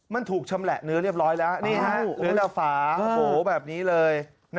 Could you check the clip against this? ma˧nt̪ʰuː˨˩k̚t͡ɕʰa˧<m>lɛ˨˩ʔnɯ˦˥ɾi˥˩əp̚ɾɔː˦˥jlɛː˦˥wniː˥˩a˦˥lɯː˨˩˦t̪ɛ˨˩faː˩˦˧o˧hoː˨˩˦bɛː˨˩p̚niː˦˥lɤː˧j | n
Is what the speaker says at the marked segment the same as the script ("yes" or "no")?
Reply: yes